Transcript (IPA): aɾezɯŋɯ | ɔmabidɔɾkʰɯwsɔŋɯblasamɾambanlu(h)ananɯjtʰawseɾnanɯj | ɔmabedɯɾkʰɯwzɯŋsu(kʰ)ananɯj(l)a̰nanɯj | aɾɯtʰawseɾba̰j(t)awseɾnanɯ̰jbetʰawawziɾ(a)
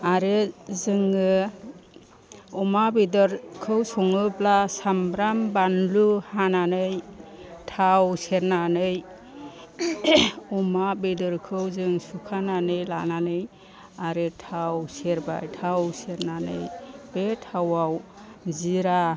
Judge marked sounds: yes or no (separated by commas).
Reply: yes, yes, yes, no, yes